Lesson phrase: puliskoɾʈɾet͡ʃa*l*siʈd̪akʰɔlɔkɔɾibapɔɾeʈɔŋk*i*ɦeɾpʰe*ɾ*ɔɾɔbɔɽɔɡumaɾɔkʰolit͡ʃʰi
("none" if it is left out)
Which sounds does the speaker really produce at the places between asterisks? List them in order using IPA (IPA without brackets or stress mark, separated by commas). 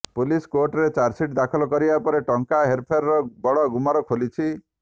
ɾ, a, ɾ